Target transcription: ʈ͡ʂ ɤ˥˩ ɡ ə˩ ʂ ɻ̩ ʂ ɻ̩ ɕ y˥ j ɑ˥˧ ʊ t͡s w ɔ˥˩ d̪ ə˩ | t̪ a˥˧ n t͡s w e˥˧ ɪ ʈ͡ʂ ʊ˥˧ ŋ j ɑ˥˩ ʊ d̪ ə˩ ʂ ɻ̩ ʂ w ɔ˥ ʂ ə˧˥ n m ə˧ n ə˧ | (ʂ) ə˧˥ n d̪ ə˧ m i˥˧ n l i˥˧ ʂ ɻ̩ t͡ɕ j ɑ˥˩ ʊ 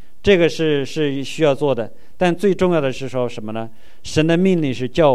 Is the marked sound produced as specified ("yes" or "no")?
yes